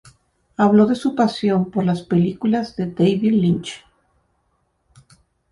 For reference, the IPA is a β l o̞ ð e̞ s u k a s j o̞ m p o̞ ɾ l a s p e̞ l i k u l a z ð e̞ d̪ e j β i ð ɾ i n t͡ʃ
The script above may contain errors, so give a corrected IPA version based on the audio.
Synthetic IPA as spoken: a β l o̞ ð e̞ s u p a s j o̞ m p o̞ ɾ l a s p e̞ l i k u l a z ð e̞ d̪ e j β i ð l i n t͡ʃ